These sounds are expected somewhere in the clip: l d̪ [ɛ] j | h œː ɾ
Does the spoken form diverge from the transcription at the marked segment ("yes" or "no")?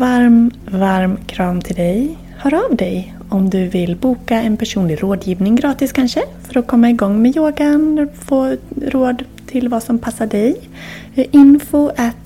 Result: no